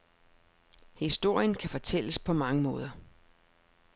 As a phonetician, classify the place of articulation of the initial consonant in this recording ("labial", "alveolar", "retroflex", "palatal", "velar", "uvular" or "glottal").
glottal